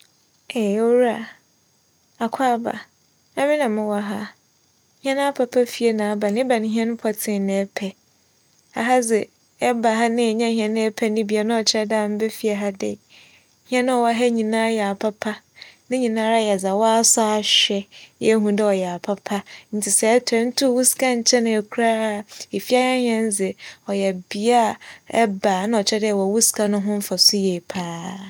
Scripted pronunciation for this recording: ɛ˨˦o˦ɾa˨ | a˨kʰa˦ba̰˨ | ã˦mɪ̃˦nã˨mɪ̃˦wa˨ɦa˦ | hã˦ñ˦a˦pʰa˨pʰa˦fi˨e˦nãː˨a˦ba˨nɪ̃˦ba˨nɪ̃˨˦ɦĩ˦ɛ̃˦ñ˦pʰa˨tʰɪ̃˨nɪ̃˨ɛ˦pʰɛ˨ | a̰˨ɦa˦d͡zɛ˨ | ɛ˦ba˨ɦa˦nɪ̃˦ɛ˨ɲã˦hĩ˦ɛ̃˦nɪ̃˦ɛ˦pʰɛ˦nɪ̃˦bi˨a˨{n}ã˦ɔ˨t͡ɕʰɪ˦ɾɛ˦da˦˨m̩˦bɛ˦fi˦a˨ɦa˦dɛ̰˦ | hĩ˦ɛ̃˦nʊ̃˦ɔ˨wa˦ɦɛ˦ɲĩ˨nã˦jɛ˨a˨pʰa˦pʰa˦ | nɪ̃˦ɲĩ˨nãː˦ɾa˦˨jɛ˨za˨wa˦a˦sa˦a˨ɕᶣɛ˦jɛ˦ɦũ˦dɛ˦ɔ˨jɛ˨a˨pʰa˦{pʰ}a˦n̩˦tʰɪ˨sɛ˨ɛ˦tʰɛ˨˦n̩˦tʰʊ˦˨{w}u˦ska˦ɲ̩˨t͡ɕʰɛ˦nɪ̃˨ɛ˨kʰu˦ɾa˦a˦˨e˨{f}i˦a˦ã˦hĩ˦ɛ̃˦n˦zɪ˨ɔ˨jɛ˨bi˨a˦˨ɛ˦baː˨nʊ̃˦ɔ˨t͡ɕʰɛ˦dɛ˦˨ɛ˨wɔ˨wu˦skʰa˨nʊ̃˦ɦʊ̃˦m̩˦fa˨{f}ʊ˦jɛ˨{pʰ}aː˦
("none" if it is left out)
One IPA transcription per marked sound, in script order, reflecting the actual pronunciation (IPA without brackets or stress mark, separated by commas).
n, pʰ, w, f, s, pʰ